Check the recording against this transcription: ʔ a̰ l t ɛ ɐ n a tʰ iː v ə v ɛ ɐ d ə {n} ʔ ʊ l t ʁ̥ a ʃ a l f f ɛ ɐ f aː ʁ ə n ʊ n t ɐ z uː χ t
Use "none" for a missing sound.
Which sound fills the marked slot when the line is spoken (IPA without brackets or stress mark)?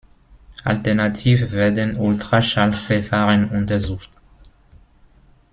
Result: n